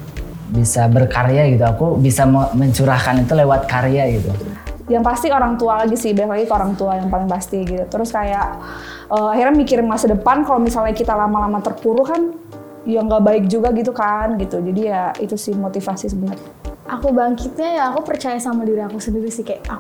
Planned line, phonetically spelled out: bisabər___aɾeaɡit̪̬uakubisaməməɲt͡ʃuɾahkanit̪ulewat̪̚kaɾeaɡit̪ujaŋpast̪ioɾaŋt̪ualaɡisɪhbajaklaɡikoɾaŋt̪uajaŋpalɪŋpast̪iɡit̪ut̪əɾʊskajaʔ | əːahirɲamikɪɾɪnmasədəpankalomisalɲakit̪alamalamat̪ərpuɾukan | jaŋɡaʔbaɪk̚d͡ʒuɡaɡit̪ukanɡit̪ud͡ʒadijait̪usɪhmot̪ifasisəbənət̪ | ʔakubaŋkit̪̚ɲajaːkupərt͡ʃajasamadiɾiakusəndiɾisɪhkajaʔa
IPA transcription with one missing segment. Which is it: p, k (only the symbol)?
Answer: k